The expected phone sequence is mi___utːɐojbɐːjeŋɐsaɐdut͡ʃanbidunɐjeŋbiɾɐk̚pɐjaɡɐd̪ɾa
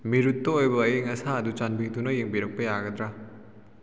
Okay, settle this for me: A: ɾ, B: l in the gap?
A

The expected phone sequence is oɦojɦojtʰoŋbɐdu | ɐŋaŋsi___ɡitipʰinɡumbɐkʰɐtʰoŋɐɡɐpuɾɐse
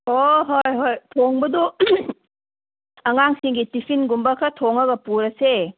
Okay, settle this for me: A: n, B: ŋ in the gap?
B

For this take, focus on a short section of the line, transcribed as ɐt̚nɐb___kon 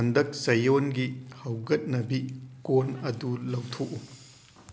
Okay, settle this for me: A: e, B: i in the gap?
B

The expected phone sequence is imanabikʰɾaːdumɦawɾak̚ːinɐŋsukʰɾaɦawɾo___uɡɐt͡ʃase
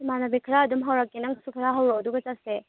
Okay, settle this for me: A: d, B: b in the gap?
A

